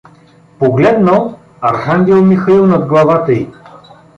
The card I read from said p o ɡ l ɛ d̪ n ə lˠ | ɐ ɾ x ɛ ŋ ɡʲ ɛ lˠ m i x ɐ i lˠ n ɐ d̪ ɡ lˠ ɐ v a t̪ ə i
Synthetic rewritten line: p o ɡ l ɛ d̪ n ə lˠ | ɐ ɾ x a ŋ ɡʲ ɛ lˠ m i x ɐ i lˠ n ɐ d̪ ɡ lˠ ɐ v a t̪ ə i